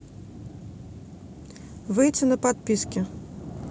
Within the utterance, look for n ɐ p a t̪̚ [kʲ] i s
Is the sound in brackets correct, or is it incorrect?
incorrect: pʲ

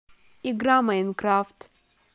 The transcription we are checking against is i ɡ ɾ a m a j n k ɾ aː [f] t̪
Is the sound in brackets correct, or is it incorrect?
correct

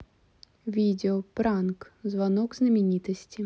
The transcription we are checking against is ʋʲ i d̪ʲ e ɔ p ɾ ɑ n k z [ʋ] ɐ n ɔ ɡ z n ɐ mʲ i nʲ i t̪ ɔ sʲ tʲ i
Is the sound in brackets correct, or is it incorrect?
correct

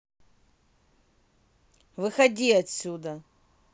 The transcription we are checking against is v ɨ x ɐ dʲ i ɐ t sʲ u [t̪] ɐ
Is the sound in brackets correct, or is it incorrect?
incorrect: d̪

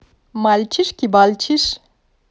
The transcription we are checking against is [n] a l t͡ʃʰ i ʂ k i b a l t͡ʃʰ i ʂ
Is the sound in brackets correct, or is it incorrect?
incorrect: m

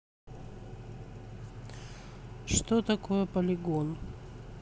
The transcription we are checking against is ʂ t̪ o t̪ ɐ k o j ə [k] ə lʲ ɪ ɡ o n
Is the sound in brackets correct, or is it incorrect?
incorrect: p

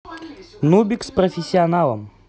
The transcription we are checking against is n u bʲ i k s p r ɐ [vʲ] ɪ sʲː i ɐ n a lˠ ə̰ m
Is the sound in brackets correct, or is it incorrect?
incorrect: fʲ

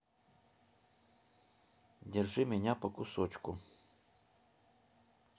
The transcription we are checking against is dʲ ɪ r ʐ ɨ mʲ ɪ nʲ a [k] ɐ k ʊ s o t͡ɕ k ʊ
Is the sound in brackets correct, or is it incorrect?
incorrect: p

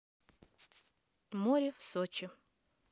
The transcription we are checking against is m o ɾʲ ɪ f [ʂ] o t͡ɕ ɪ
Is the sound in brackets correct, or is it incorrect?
incorrect: s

